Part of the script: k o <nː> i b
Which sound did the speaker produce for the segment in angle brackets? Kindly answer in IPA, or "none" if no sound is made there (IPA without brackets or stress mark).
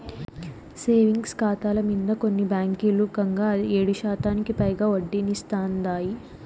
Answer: nː